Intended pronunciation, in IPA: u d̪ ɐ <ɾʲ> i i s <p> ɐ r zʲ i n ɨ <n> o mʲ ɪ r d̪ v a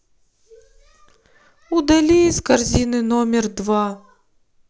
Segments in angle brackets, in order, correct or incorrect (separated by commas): incorrect, incorrect, correct